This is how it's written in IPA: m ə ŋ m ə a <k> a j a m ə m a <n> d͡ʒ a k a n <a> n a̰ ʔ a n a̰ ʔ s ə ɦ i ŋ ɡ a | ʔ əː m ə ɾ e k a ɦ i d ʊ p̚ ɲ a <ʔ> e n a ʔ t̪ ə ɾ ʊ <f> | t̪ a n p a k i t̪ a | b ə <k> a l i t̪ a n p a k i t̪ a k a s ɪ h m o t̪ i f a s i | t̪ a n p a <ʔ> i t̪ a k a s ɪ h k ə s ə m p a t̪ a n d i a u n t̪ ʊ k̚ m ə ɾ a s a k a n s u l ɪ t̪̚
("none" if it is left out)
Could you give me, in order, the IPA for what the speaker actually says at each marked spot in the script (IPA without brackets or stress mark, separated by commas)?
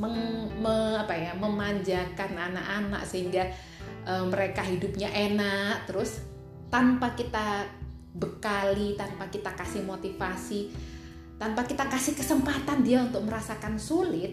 p, ɲ, a, ʔ, s, k, k